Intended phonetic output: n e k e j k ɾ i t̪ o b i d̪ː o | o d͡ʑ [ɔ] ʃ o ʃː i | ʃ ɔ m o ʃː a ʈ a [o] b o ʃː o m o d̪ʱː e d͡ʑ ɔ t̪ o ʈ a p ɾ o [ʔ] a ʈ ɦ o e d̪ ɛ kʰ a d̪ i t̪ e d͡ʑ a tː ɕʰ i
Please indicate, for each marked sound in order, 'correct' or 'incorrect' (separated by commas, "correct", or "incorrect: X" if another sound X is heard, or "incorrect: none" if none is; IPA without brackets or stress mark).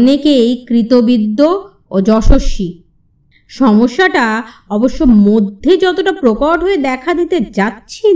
correct, incorrect: ɔ, incorrect: k